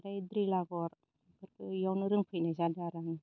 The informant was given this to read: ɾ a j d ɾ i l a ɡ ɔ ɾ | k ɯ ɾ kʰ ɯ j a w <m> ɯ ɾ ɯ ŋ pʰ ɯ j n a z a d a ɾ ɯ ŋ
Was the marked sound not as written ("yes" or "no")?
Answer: yes